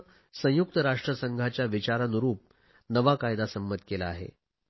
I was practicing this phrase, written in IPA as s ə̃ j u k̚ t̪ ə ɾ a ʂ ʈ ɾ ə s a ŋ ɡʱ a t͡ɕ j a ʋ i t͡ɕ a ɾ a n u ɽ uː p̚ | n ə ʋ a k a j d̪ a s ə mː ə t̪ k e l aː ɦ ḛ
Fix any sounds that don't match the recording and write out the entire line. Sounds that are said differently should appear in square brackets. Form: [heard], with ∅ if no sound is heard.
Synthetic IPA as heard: s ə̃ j u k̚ t̪ ə ɾ a ʂ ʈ ɾ ə s [ə] ŋ ɡʱ a t͡ɕ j a ʋ i t͡ɕ a ɾ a n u [ɾ] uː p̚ | n ə ʋ a k a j d̪ a s ə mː ə t̪ k e l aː ɦ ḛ